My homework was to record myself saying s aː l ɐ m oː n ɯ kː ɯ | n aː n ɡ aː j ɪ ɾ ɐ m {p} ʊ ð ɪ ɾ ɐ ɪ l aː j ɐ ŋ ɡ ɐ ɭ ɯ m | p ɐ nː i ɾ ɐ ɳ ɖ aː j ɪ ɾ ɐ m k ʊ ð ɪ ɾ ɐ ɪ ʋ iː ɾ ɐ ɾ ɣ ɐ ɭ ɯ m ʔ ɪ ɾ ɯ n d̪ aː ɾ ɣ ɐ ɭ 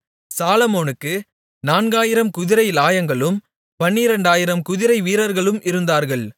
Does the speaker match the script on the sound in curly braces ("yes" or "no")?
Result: no